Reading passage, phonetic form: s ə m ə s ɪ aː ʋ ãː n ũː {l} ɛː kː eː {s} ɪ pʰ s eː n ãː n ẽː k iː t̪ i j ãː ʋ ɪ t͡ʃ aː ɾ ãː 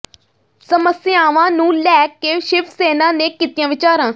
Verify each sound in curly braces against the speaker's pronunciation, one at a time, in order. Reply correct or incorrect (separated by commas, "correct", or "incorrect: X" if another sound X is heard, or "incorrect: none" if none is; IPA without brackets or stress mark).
correct, incorrect: ʃ